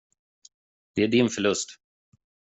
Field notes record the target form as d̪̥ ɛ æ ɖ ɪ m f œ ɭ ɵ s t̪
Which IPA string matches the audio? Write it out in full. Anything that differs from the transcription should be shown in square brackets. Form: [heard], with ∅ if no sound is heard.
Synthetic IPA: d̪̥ ɛ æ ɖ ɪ [n] f œ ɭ ɵ s t̪